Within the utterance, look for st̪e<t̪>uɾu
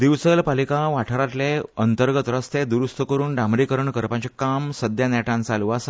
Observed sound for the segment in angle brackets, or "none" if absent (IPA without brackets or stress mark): d̪